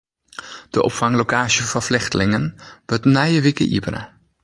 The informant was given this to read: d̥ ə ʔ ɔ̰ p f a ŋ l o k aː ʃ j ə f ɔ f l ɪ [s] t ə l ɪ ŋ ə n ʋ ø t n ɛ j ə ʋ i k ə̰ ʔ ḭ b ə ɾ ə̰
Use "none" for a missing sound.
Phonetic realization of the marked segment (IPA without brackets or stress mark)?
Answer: x